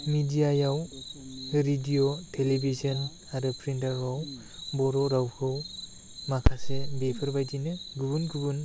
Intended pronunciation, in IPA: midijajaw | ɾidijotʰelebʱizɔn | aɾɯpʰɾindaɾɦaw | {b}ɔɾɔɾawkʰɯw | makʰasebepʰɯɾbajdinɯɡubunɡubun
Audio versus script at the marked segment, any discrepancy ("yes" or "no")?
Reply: no